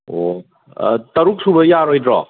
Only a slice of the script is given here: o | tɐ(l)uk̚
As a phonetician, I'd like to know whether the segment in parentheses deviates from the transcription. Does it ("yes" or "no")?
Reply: yes